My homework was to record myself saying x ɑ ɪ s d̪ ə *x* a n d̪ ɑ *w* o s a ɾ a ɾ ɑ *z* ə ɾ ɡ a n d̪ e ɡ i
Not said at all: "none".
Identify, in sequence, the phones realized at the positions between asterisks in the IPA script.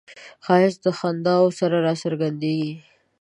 x, w, s

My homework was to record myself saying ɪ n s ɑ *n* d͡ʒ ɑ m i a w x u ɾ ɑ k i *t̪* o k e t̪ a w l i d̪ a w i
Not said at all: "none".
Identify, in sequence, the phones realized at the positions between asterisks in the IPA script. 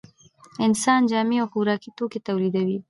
n, t̪

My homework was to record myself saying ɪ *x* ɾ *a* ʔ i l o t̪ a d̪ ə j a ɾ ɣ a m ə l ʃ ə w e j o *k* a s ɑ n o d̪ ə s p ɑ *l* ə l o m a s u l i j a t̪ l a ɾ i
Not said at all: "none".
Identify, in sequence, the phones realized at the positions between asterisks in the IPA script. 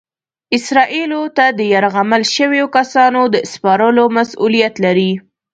s, ɑ, k, ɾ

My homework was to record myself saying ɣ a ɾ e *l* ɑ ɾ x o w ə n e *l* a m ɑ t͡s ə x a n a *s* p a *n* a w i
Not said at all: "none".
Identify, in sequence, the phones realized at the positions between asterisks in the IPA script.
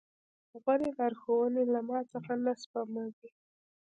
l, l, s, m

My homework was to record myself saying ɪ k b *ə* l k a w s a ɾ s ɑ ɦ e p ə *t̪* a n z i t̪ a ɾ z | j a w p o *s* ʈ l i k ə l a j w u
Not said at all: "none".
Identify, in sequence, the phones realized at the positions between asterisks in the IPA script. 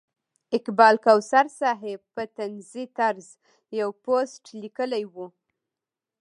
ɑ, t̪, s

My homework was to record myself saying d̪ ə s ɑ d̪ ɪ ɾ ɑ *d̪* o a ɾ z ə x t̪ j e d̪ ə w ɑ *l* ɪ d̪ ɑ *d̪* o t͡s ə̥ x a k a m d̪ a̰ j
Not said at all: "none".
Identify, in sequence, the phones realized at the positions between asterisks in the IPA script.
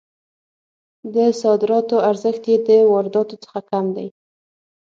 t̪, ɾ, t̪

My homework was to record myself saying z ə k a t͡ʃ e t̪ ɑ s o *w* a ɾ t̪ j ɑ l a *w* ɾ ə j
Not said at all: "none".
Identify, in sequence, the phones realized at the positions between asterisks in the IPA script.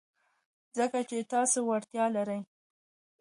w, none

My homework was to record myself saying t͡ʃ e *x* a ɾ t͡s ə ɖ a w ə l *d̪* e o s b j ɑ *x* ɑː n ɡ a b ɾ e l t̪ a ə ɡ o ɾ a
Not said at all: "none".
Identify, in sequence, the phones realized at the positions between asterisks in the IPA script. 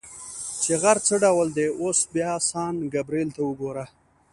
ɣ, d̪, s

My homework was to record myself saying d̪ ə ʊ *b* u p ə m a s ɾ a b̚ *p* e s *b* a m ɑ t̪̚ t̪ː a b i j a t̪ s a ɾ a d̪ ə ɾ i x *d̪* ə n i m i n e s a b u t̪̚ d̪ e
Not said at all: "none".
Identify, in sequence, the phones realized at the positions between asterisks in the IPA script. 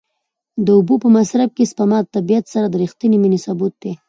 b, k, p, t̪

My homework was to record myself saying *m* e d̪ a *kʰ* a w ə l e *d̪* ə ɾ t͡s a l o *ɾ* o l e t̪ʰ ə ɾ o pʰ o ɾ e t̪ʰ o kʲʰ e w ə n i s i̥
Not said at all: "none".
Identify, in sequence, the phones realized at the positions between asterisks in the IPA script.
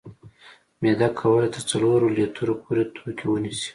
m, kʰ, t̪, ɾ

